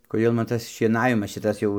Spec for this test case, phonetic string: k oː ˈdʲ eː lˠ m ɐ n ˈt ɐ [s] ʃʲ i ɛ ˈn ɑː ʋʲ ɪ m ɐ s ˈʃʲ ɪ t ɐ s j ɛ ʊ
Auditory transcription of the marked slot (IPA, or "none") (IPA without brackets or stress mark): s